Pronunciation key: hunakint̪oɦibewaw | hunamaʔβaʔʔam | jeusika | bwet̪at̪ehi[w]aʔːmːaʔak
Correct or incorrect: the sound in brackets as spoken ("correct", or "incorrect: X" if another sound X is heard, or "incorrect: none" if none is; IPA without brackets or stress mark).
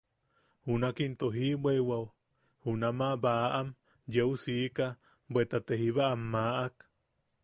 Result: incorrect: β